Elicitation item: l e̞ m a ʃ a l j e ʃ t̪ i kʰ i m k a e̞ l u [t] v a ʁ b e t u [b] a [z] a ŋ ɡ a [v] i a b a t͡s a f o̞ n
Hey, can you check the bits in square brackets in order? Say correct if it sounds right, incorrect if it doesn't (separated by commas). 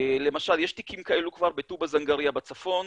incorrect, correct, correct, incorrect